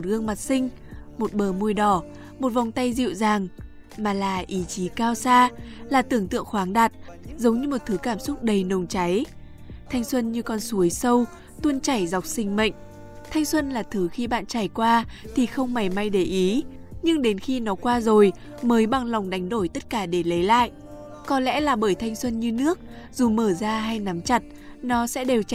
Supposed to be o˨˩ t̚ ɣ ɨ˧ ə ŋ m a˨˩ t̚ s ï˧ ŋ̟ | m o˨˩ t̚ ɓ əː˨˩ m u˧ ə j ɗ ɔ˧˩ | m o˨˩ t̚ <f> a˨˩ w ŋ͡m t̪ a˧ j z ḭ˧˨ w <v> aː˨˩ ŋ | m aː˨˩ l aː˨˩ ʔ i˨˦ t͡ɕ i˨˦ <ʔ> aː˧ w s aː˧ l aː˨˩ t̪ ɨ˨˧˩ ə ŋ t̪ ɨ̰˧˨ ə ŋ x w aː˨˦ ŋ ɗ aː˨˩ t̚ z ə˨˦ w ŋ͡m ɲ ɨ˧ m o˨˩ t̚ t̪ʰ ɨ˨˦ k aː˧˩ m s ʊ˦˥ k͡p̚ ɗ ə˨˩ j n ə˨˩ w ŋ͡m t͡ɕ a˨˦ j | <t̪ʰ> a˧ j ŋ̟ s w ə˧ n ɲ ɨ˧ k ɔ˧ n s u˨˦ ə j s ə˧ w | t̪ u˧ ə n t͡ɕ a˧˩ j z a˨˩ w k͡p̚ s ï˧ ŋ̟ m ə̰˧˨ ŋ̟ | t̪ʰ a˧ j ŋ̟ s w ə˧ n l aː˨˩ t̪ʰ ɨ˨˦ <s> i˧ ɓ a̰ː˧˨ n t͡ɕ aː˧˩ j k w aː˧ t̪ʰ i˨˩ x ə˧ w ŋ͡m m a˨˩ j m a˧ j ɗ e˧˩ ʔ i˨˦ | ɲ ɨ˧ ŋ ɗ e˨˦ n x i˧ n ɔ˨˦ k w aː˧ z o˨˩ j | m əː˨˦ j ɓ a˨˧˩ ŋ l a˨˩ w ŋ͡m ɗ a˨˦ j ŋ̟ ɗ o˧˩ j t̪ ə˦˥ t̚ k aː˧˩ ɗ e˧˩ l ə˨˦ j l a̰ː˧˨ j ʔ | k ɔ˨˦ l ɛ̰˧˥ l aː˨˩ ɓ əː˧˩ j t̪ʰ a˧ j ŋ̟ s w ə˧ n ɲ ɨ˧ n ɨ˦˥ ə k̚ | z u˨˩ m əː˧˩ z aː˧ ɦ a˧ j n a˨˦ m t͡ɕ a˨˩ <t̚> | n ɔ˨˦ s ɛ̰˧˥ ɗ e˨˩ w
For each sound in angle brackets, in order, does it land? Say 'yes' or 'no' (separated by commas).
no, no, no, yes, no, yes